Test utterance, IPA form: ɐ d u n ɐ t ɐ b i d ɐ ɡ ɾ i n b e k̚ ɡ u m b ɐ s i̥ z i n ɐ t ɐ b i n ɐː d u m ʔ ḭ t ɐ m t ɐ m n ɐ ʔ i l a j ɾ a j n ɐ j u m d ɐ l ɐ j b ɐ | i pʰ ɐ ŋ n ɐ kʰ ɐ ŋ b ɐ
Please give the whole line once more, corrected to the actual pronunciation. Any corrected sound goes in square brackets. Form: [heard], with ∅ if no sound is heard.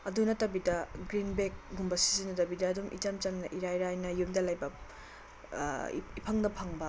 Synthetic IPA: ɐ d u n ɐ t ɐ b i d ɐ ɡ ɾ i n b e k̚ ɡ u m b ɐ s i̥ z i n ɐ t ɐ b i [d] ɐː d u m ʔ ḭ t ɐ m [t͡ʃ] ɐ m n ɐ ʔ i [ɾ] a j ɾ a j n ɐ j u m d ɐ l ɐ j b ɐ | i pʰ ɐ ŋ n ɐ [pʰ] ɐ ŋ b ɐ